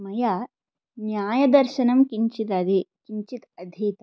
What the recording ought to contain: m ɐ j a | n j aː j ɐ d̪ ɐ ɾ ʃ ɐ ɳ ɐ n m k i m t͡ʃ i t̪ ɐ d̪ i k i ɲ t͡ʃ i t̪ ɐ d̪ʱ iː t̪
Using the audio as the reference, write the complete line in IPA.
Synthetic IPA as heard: m ɐ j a | n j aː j ɐ d̪ ɐ ɾ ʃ ɐ n ɐ m k i ɲ t͡ʃ i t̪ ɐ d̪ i k i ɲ t͡ʃ i t̪ ɐ d̪ʱ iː t̪